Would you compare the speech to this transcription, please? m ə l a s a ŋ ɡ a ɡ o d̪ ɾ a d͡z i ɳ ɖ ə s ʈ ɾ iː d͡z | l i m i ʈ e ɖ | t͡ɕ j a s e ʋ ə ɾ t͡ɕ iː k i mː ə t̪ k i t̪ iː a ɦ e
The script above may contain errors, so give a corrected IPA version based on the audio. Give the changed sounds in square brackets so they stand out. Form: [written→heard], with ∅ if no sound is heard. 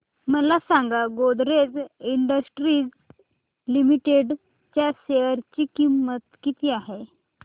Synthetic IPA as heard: m ə l a s a ŋ ɡ a ɡ o d̪ ɾ [a→e] d͡z i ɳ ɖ ə s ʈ ɾ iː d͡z | l i m i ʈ e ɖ | t͡ɕ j a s e ʋ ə ɾ t͡ɕ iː k i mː ə t̪ k i t̪ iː a ɦ e